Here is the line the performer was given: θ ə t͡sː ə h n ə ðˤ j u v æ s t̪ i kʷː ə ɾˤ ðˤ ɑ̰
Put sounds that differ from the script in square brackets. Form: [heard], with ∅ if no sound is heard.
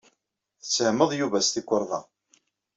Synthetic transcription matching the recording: θ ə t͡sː ə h [m] ə ðˤ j u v æ s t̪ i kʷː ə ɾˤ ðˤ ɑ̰

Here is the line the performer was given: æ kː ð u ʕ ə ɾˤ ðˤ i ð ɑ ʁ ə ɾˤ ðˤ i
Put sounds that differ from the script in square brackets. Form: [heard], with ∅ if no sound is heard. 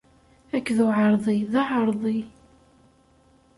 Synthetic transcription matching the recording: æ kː ð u ʕ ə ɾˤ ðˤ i ð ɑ [ʕ] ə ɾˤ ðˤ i

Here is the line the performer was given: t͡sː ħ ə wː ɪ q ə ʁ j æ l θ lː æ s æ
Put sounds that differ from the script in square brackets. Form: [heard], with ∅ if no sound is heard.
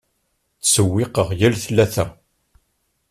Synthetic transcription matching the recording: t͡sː [s] ə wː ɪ q ə ʁ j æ l θ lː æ [θ] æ

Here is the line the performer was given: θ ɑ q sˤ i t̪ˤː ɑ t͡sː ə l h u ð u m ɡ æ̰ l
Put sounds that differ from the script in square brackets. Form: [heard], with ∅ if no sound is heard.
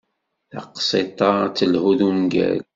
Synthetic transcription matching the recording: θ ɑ q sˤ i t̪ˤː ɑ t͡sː ə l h u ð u m ɡ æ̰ l

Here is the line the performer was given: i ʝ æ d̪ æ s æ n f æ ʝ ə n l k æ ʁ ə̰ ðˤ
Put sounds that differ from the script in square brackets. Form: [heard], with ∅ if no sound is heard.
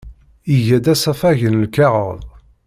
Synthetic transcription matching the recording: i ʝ æ d̪ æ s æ [∅] f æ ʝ ə n l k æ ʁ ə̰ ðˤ

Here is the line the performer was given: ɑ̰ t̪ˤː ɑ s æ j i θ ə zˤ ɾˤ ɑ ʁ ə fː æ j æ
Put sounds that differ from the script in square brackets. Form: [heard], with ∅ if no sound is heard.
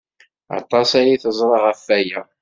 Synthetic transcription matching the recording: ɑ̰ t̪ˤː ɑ s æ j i θ ə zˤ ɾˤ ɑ ʁ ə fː æ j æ

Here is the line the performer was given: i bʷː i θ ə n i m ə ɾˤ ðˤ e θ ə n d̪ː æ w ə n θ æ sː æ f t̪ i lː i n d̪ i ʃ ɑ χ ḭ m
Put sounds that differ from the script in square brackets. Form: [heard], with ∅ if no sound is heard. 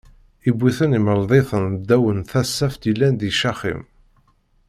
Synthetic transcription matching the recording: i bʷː i θ ə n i m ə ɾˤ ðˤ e θ ə n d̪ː æ w ə n θ æ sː æ f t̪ i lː [æ] n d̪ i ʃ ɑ χ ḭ m

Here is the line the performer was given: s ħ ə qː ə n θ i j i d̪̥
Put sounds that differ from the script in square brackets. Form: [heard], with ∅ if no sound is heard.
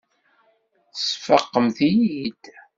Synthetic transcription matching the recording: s [f] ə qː ə [m] θ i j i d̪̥

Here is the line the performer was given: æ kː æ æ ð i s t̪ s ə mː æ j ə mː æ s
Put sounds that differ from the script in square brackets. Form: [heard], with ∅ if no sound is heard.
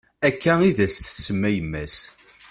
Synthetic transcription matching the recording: æ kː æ [i] ð [æ] s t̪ s ə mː æ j ə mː æ s

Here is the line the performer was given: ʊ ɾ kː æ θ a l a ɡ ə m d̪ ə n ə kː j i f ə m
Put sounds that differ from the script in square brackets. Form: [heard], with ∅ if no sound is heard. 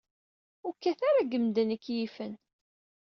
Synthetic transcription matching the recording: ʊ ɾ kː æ θ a [ɾ] a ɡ ə m d̪ ə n ə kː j i f ə [n]

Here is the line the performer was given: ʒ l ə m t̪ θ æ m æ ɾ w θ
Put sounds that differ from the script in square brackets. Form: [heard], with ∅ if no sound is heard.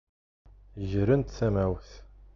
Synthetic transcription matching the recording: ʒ [ɾ] ə [n] t̪ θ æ m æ [∅] w θ

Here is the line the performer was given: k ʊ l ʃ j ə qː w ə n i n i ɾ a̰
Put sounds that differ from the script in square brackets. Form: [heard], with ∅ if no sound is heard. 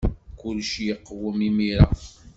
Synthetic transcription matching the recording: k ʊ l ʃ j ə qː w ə [m] i [m] i ɾ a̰

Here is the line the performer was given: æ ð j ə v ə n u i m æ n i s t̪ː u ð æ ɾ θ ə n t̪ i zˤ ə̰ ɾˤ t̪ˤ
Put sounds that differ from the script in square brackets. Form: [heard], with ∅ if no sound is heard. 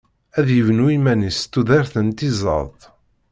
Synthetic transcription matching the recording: æ ð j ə v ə n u i m æ n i s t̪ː u ð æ ɾ θ ə n t̪ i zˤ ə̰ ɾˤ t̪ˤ

